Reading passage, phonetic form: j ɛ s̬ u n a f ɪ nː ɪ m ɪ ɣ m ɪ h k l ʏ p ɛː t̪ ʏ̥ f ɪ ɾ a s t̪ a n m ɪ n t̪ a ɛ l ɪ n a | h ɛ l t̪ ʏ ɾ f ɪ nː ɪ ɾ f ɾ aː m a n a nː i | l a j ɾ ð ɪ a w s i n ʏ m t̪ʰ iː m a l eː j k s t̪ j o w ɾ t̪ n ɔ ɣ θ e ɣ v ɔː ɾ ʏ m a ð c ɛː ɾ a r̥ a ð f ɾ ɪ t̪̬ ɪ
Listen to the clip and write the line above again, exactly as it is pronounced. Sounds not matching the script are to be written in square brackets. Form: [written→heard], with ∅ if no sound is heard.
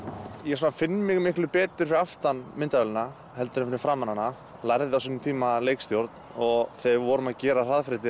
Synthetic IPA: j ɛ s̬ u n a f ɪ nː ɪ m ɪ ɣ m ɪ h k l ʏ p ɛː t̪ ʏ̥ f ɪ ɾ a [s→f] t̪ a n m ɪ n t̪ a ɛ l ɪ n a | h ɛ l t̪ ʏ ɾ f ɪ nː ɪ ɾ f ɾ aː m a n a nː [i→a] | l a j ɾ ð ɪ a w s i n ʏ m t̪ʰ iː m a l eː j k s t̪ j o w ɾ t̪ n ɔ ɣ θ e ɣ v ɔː ɾ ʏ m a ð c ɛː ɾ a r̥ a ð f ɾ ɪ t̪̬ ɪ